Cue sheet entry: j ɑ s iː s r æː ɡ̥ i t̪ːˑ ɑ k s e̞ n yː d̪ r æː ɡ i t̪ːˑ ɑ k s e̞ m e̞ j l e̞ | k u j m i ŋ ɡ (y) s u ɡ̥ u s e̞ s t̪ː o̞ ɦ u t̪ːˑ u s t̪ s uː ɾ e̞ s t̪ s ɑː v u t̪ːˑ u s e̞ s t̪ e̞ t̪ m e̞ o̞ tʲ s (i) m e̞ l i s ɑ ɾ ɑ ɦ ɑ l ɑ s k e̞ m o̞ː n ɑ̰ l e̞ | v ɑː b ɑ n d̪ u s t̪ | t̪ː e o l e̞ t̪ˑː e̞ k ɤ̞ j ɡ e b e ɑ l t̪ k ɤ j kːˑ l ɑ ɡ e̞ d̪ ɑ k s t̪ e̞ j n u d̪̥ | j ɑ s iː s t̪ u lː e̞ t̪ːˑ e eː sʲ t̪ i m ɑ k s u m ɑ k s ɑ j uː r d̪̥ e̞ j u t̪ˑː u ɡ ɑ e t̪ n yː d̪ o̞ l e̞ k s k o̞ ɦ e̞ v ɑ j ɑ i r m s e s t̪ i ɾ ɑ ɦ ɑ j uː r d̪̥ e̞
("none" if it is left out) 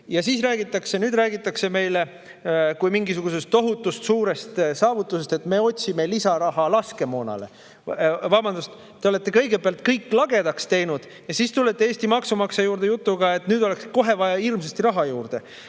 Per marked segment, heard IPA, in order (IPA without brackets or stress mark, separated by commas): i, i